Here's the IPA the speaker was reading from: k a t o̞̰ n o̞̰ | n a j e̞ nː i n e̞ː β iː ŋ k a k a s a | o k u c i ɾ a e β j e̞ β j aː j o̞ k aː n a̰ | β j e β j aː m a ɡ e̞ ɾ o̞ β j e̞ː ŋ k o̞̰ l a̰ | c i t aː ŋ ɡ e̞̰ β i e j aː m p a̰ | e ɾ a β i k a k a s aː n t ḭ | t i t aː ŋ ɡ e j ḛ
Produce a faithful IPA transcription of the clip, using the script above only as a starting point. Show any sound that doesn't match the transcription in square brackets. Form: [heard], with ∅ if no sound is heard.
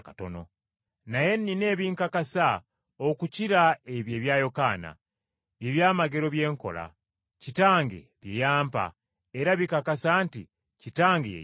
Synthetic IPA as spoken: k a t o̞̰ n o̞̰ | n a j e̞ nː i n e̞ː β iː ŋ k a k a s a | o k u c i ɾ a e β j e̞ β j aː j o̞ k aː n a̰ | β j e β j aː m a ɡ e̞ ɾ o̞ β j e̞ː ŋ k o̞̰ l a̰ | c i t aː ŋ ɡ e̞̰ β [j] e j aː m p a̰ | e ɾ a β i k a k a s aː n t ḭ | [c] i t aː ŋ ɡ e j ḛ